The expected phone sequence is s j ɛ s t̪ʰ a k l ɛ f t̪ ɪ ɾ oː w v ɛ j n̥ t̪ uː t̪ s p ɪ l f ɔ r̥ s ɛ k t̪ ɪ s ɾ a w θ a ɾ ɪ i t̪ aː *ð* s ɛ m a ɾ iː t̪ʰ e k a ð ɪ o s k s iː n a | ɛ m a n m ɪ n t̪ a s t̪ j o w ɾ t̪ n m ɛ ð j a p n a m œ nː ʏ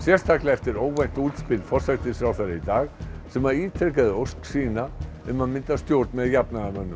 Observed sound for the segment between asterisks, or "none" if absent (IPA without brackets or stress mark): ɣ